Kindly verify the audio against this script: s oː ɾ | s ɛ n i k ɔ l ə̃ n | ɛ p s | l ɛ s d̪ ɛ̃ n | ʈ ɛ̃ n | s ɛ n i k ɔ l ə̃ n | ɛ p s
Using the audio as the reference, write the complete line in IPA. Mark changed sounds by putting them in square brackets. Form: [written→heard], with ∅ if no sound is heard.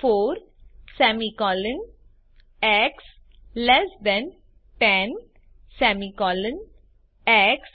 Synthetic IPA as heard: [s→f] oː ɾ | s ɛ [n→m] i k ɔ l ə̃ n | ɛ [p→k] s | l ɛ s d̪ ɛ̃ n | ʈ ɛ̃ n | s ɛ [n→m] i k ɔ l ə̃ n | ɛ [p→k] s